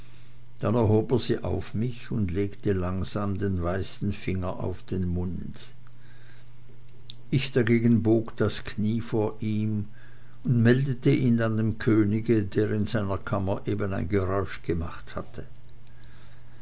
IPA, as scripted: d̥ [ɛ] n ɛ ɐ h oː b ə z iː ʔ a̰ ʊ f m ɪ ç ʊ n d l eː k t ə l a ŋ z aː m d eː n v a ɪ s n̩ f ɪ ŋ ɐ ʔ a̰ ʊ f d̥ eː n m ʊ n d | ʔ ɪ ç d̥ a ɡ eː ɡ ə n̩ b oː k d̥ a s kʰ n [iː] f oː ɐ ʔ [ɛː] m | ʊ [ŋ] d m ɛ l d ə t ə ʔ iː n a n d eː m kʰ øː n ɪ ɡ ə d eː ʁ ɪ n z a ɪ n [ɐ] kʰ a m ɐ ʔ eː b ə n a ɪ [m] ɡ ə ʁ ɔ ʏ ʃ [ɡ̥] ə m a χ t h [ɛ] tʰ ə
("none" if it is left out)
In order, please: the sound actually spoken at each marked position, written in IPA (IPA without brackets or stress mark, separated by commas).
a, iː, iː, n, ɐ, n, ɡ̥, a